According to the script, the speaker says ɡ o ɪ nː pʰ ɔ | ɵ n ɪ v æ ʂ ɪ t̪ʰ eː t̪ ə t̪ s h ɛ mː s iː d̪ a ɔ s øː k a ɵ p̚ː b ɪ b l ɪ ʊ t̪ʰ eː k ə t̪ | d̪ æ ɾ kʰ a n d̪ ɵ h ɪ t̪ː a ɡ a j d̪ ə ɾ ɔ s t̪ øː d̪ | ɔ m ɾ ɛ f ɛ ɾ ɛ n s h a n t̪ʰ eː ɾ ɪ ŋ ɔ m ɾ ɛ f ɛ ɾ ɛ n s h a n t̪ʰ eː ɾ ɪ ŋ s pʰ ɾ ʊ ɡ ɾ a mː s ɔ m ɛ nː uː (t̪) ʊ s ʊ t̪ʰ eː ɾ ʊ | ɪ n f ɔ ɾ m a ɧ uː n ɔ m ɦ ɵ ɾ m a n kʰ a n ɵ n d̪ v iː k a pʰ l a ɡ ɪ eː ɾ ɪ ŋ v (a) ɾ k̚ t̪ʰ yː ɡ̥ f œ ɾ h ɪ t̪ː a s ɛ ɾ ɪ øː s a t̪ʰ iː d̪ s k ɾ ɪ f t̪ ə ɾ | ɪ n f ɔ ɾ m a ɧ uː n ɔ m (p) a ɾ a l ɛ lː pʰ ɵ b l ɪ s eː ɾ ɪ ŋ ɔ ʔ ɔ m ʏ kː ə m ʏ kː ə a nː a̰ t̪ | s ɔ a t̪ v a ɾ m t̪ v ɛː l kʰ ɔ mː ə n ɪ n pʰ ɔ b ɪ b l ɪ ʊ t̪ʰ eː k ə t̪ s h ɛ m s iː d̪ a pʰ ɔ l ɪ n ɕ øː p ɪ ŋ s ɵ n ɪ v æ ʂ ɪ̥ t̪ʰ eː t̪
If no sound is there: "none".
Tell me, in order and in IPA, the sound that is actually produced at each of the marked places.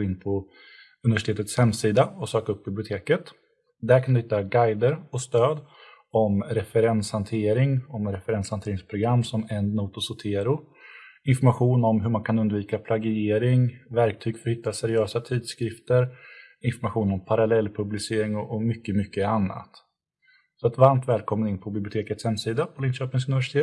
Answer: t̪, æ, pʰ

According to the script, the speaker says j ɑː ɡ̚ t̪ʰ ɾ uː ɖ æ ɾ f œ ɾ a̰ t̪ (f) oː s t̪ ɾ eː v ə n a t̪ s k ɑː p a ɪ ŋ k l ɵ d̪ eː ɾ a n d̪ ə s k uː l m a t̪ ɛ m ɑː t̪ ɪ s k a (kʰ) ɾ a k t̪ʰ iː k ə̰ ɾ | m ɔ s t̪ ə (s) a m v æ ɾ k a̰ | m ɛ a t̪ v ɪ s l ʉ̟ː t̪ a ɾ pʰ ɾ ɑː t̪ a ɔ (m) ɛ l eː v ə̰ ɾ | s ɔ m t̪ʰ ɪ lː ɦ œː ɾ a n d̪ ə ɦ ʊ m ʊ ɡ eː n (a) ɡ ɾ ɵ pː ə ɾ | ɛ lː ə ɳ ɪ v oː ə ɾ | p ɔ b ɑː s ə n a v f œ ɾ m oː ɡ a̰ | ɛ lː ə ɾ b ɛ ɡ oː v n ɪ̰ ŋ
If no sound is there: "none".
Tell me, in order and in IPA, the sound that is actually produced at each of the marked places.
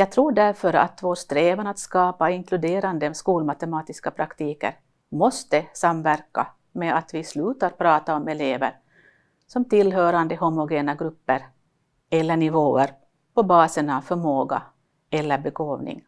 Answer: v, pʰ, s, m, a

